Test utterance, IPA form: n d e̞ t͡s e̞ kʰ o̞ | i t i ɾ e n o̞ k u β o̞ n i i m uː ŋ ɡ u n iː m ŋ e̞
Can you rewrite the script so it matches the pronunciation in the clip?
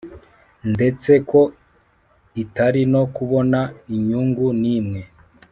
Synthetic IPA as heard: n d e̞ t͡s e̞ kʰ o̞ | i t a ɾ i n o̞ k u β o̞ n a i ɲ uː ŋ ɡ u n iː m ŋ e̞